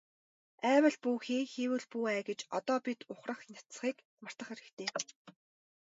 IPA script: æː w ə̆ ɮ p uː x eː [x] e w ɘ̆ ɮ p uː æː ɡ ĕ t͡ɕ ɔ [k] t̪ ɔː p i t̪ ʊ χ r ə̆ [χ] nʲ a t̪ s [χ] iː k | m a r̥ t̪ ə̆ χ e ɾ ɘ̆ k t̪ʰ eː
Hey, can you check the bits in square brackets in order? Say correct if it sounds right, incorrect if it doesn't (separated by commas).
correct, incorrect, correct, correct